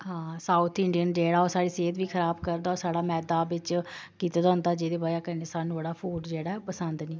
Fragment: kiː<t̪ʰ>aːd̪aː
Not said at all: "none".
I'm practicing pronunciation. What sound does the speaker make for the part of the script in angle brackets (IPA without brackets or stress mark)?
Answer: t̪